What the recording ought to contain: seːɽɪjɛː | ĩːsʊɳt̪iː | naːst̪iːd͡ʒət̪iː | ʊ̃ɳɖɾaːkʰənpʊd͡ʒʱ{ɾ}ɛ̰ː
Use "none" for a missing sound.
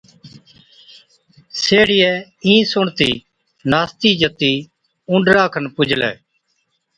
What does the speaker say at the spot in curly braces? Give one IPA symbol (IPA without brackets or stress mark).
l